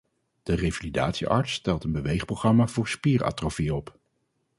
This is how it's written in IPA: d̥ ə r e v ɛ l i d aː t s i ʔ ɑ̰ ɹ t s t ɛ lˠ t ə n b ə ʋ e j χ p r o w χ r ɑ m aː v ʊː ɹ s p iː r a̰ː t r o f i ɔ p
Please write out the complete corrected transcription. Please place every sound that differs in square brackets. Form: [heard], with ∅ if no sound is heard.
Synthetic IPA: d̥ ə r e v [a] l i d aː t s i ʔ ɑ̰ ɹ t s t ɛ lˠ t ə n b ə ʋ e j χ p r o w χ r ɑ m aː v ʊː ɹ s p iː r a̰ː t r o f i ɔ p